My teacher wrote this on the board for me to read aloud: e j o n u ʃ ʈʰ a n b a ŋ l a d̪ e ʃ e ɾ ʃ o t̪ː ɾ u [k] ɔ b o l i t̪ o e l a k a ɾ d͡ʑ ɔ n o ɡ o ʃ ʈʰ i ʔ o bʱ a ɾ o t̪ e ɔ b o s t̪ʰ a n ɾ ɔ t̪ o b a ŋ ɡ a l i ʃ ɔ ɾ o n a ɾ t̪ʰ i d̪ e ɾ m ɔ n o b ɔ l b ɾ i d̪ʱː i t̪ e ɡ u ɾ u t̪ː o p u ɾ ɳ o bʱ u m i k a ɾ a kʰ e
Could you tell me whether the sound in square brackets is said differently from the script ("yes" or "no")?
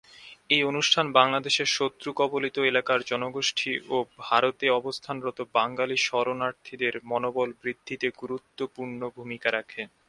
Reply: no